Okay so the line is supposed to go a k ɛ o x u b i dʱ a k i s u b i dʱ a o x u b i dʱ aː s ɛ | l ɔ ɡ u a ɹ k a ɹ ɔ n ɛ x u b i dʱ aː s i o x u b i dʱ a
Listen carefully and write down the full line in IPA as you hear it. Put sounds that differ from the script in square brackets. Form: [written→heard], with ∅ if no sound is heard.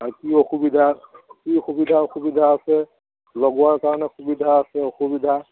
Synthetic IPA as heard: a k [ɛ→i] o x u b i dʱ a k i [s→x] u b i dʱ a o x u b i dʱ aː s ɛ | l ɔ ɡ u a ɹ k a ɹ ɔ n ɛ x u b i dʱ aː s [i→ɛ] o x u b i dʱ a